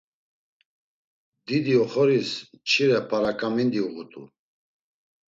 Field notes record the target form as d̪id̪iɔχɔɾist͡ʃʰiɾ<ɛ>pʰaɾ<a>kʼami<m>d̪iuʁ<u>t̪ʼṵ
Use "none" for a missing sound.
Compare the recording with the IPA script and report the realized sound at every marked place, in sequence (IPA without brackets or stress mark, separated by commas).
ɛ, a, n, u